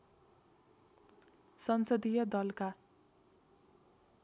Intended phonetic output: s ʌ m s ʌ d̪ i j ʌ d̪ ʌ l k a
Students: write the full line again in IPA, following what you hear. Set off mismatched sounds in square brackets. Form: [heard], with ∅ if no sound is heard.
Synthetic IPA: s ʌ [n] s ʌ d̪ i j ʌ d̪ ʌ l k a

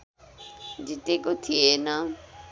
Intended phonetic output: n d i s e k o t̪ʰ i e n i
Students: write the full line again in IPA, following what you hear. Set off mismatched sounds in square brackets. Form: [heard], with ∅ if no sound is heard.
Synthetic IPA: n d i [t] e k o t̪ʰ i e n [a]

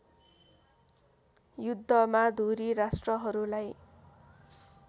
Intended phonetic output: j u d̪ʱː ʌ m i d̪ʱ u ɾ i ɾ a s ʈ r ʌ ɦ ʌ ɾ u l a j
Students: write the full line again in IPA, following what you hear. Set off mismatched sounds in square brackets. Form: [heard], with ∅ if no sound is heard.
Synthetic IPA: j u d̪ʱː ʌ m [a] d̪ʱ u ɾ i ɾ a s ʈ r ʌ ɦ ʌ ɾ u l a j

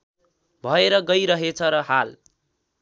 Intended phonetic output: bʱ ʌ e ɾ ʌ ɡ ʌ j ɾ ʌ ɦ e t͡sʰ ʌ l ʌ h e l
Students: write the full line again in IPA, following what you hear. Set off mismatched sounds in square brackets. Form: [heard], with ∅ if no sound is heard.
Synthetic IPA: bʱ ʌ e ɾ ʌ ɡ ʌ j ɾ ʌ ɦ e t͡sʰ ʌ [ɾ] ʌ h [a] l

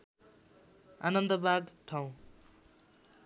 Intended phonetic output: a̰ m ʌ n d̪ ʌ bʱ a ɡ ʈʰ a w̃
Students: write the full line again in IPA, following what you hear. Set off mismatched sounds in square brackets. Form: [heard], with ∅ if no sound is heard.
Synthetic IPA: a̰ [n] ʌ n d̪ ʌ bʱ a ɡ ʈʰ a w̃

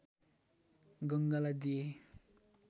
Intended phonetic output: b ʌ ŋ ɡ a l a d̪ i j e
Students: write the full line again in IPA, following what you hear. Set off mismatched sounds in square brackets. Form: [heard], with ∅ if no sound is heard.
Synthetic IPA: [ɡ] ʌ ŋ ɡ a l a d̪ i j e

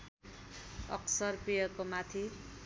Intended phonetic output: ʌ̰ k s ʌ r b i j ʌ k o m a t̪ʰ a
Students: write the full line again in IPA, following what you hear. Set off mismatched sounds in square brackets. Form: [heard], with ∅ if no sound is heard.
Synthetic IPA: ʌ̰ k s ʌ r [p] i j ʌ k o m a t̪ʰ [i]

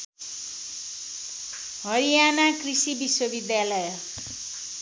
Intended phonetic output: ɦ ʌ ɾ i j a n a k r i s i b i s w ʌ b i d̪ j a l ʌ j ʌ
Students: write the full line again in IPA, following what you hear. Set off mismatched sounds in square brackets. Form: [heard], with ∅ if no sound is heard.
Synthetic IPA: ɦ ʌ ɾ i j a n a k r i s i b i s w ʌ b i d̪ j a l ʌ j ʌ

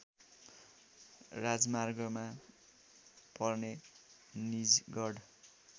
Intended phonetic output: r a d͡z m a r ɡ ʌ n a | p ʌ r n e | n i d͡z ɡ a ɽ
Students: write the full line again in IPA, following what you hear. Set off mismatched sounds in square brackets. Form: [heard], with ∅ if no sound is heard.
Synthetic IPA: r a d͡z m a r ɡ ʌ [m] a | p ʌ r n e | n i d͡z ɡ [ʌ] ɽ

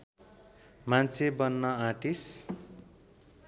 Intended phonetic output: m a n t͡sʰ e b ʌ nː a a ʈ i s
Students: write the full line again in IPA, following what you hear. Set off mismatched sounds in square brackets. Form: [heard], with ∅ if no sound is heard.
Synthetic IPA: m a n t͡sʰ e b ʌ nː [ʌ] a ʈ i s

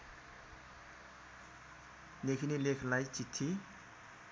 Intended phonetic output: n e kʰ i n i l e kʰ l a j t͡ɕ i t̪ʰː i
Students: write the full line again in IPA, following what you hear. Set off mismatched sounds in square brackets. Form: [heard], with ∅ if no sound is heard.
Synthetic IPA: n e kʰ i n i l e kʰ l a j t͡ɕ i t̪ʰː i

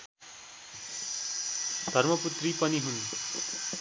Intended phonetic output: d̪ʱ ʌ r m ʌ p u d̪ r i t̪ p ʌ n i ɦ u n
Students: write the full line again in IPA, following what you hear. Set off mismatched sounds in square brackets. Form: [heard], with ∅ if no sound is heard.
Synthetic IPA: d̪ʱ ʌ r m ʌ p u [t̪] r i [∅] p ʌ n i ɦ u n

